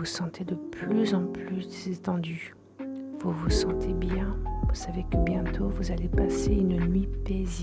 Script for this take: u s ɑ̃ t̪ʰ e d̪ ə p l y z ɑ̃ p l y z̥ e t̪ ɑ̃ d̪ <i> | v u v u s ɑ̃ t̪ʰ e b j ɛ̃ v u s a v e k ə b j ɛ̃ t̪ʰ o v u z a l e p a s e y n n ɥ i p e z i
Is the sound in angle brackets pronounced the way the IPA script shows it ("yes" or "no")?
no